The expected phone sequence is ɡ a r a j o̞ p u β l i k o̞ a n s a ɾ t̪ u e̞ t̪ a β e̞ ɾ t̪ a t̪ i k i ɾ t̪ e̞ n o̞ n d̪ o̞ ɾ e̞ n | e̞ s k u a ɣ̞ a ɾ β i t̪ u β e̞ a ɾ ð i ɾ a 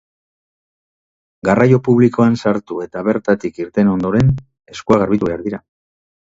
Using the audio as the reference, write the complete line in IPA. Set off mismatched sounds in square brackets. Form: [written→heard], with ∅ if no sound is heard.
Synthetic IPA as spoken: ɡ a r a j o̞ p u β l i k o̞ a n s a ɾ t̪ u e̞ t̪ a β e̞ ɾ t̪ a t̪ i k i ɾ t̪ e̞ n o̞ n d̪ o̞ ɾ e̞ n | e̞ s k u a ɣ̞ a ɾ β i t̪ u β e̞ a ɾ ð i ɾ a